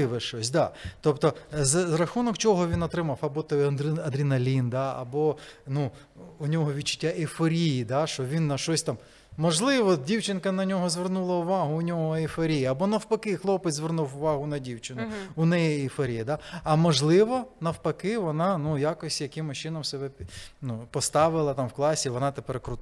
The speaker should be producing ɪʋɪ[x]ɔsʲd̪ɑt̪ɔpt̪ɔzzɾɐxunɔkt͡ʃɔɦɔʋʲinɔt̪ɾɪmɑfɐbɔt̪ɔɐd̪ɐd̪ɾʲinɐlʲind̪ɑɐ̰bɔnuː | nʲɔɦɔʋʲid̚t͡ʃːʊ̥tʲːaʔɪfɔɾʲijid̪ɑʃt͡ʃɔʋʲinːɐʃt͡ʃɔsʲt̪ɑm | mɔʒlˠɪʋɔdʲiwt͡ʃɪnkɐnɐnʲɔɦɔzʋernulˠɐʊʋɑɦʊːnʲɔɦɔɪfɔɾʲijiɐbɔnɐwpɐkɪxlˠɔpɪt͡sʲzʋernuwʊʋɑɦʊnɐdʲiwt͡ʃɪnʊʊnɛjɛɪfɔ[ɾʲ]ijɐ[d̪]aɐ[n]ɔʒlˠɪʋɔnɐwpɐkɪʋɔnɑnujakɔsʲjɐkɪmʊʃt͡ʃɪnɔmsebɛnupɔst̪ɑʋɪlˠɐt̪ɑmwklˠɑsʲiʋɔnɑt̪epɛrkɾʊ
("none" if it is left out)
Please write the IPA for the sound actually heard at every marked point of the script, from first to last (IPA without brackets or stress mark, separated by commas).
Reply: ʃ, ɾʲ, d̪, m